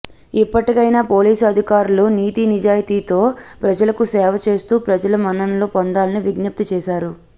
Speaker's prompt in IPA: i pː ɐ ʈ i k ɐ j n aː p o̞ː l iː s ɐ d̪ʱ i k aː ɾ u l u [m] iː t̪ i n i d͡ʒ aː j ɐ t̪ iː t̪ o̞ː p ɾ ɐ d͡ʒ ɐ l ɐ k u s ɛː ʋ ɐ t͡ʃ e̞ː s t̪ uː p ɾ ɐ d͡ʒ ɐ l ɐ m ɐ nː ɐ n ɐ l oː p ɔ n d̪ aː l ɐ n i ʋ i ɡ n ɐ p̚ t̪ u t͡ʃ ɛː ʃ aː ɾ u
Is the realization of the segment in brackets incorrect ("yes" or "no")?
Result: yes